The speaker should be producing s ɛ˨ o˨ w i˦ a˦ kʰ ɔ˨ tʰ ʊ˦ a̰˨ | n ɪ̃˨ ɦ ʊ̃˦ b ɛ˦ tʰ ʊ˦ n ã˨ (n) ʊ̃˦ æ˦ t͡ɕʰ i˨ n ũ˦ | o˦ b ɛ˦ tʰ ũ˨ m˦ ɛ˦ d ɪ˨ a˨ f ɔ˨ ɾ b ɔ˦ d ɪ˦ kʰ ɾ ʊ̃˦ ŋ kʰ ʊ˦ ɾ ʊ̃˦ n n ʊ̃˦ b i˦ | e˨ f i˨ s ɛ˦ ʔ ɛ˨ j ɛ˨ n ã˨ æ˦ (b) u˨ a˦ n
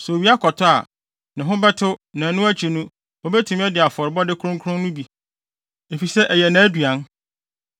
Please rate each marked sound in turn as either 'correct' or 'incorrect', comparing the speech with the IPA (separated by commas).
correct, incorrect